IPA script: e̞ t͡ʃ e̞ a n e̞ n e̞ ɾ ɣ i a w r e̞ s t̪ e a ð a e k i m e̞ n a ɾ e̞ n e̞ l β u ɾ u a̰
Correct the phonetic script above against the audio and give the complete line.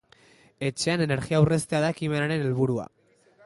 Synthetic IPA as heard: e̞ t͡ʃ e̞ a n e̞ n e̞ ɾ ɣ i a w r e̞ s t̪ e a ð a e k i m e̞ n a ɾ e̞ n e̞ l β u ɾ u a̰